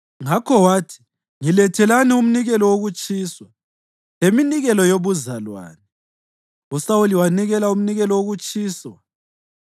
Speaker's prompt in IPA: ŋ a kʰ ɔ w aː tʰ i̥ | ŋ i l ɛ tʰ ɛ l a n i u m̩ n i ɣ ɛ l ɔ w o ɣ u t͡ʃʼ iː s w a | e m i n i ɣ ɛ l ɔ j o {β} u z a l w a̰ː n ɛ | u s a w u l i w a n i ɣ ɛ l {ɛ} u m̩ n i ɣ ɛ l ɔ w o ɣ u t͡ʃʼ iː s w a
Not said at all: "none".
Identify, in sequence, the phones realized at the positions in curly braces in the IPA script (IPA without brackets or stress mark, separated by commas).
β, a